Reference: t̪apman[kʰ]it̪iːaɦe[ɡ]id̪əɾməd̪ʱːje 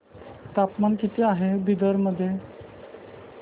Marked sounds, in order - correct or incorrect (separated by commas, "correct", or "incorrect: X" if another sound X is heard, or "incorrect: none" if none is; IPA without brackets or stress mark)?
incorrect: k, incorrect: b